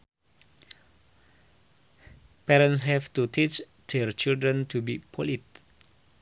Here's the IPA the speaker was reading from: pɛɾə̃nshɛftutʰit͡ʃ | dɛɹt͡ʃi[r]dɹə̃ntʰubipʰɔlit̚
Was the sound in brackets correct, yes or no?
no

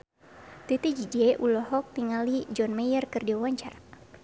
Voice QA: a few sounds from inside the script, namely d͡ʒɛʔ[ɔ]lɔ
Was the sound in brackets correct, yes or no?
no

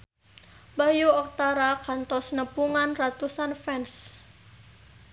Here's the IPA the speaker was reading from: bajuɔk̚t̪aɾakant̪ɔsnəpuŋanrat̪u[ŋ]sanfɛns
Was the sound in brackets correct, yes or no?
no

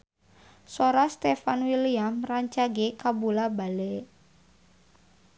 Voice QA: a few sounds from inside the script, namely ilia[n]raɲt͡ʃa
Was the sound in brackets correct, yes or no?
no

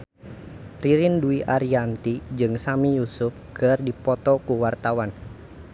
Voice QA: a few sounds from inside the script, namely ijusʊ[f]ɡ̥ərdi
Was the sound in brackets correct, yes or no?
yes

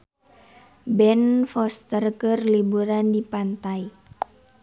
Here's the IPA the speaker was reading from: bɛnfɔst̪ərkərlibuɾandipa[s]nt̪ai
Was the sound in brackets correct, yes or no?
no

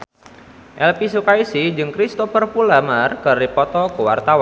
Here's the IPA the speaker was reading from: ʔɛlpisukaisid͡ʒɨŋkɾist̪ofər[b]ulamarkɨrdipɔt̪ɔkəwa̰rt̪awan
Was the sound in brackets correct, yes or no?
no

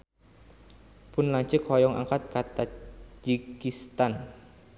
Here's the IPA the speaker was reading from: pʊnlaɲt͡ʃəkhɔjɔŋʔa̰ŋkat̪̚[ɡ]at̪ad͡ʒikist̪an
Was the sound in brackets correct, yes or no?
no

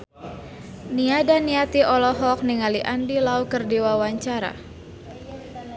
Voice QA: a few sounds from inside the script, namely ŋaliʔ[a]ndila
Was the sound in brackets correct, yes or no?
yes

